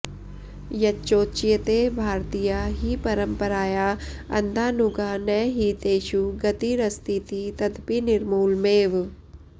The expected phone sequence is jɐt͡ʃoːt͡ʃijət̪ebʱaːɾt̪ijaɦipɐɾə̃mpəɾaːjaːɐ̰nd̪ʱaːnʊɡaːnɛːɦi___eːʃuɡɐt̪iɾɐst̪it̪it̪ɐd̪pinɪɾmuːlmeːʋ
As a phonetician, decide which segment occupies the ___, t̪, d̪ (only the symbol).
t̪